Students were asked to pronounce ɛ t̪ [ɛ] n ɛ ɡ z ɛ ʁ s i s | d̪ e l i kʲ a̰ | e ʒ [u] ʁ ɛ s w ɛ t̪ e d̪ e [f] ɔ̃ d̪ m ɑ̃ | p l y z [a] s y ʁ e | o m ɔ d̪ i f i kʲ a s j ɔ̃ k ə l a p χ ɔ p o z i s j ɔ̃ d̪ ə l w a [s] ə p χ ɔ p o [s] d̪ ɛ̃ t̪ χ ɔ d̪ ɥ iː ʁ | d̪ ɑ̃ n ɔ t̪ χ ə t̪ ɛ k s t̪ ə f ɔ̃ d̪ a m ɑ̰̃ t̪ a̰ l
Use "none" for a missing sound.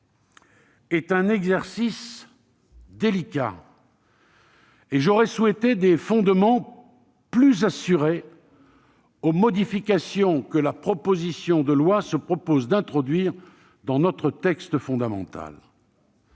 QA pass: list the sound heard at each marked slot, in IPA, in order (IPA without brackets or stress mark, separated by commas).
ɛ̃, ɔ, f, a, s, z